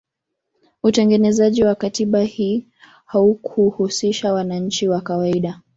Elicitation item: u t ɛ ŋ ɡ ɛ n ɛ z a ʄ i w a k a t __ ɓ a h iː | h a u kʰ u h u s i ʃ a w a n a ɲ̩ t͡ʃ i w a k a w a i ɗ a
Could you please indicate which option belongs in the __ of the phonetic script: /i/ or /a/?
i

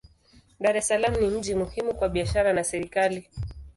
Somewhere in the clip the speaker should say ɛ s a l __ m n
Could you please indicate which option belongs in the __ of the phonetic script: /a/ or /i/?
a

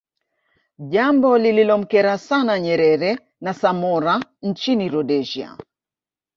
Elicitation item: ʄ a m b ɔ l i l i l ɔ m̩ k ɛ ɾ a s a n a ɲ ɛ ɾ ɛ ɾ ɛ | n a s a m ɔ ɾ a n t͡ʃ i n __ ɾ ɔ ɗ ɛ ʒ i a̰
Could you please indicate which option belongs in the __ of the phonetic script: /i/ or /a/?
i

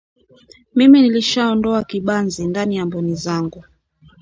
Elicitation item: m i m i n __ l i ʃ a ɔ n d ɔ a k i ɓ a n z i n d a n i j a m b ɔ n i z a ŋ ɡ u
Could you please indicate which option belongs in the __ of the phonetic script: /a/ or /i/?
i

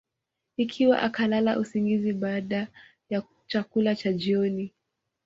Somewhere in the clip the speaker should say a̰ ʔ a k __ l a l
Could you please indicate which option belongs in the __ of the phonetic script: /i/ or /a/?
a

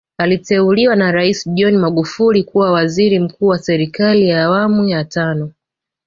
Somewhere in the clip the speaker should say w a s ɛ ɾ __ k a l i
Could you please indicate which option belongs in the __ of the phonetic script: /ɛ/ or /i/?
i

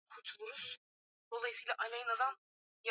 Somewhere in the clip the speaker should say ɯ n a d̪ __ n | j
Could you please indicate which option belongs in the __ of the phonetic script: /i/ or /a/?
a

